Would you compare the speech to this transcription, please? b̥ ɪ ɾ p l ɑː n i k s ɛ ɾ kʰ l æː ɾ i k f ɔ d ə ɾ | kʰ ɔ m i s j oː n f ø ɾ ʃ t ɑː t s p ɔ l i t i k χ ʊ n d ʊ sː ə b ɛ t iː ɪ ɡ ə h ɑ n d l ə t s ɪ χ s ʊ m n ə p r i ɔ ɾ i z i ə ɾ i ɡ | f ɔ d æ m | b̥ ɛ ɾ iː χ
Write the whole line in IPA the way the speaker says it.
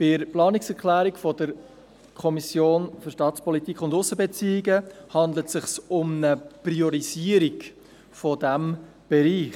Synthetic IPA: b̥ ɪ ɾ p l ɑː n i k s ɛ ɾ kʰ l æː ɾ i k f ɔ d ə ɾ | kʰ ɔ m i s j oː n f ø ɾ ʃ t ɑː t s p ɔ l i t i k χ ʊ n d ʊ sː ə b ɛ t͡s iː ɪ ɡ ə h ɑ n d l ə t s ɪ χ s ʊ m n ə p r i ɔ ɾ i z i ə ɾ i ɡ | f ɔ d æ m | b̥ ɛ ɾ iː χ

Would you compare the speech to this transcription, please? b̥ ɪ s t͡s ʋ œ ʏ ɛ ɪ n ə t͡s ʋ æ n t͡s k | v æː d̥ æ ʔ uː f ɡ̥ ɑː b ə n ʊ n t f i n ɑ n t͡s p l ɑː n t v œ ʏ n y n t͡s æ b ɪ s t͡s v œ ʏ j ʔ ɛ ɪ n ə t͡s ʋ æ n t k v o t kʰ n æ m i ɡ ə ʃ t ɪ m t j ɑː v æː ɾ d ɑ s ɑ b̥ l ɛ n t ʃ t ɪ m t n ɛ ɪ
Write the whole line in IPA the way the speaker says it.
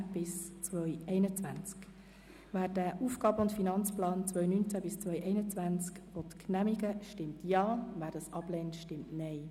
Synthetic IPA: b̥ ɪ s t͡s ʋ œ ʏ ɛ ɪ n ə t͡s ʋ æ n t͡s k | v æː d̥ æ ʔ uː f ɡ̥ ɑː b ə ʊ n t f i n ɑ n t͡s p l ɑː n t͡s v œ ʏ n y n t͡s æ b ɪ s t͡s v œ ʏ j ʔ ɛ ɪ n ə t͡s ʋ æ n t͡s k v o t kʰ n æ m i ɡ ə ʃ t ɪ m t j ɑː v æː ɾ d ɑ s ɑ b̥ l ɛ n t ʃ t ɪ m t n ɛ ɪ

